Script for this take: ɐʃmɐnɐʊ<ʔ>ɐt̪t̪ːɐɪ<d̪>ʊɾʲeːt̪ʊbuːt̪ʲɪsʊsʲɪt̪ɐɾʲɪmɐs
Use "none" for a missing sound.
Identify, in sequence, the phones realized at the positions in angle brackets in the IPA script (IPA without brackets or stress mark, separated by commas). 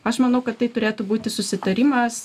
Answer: k, t̪